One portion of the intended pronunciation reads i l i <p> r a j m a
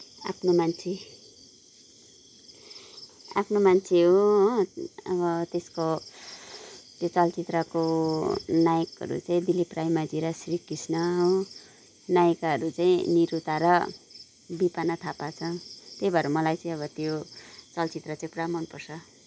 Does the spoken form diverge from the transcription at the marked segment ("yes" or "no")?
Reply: no